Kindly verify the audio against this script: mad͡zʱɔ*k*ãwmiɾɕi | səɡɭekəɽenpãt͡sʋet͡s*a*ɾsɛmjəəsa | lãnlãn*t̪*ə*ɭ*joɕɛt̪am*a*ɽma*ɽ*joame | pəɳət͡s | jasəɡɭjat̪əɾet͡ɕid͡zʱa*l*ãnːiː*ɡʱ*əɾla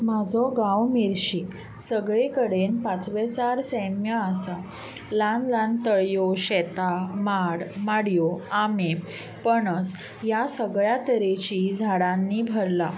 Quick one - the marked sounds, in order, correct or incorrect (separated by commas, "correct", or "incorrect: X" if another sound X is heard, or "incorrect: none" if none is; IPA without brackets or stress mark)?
incorrect: ɡ, correct, correct, correct, correct, correct, incorrect: ɽ, incorrect: bʱ